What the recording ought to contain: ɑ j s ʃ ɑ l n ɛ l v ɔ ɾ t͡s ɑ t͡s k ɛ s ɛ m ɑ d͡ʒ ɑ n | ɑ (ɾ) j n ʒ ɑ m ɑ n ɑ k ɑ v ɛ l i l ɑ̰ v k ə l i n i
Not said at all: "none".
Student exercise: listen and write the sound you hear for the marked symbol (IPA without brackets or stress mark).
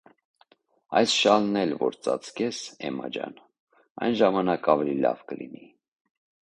none